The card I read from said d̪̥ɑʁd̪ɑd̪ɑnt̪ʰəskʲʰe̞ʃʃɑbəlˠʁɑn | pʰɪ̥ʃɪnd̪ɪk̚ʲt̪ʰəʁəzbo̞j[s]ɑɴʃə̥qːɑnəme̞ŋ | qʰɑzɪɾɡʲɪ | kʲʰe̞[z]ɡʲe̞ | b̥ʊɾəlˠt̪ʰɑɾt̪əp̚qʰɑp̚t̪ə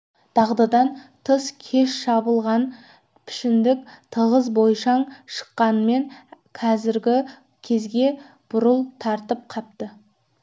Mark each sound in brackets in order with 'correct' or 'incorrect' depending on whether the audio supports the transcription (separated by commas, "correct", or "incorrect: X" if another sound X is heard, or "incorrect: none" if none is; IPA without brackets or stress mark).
incorrect: ʃ, correct